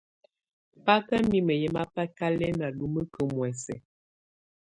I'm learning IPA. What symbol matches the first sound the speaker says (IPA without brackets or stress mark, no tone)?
p